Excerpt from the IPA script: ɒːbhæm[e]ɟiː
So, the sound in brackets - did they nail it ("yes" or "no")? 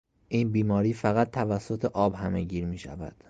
yes